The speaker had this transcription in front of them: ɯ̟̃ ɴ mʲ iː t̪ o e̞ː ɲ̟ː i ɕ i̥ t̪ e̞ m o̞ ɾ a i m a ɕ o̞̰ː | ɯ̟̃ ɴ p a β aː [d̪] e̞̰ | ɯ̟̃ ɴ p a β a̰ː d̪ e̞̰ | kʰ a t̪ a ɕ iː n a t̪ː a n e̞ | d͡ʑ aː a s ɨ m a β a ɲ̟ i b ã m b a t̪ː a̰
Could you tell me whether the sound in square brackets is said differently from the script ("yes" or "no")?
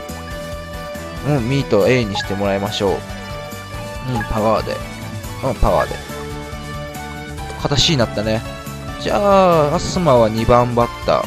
no